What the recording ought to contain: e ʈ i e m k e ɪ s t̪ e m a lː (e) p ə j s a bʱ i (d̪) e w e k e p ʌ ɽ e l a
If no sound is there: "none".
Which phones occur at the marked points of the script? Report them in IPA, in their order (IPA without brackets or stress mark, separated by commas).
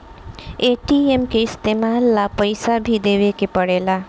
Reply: a, d̪